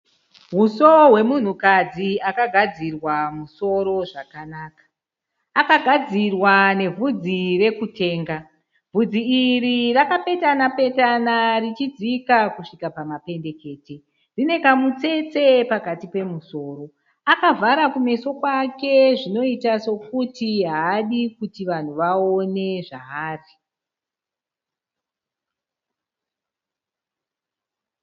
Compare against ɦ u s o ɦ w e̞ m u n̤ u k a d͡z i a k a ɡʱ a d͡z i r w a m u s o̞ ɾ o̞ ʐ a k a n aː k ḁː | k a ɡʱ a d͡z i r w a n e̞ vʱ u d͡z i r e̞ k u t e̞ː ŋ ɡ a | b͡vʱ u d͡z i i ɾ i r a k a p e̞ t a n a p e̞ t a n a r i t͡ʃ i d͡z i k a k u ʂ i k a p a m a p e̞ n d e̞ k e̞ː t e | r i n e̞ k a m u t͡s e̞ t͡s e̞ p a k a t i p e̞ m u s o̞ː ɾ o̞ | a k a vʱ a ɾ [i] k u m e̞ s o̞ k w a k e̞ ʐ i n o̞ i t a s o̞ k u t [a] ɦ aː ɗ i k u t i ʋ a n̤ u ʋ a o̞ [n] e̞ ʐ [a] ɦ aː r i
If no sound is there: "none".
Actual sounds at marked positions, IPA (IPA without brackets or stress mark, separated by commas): a, i, n, a